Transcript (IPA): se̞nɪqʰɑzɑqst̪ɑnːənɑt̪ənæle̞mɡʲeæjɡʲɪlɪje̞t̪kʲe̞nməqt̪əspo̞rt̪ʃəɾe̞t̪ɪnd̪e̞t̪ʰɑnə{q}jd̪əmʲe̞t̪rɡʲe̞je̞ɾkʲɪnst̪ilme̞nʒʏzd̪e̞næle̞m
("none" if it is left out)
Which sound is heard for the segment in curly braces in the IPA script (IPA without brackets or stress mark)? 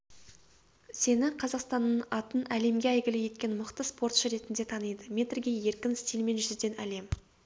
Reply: none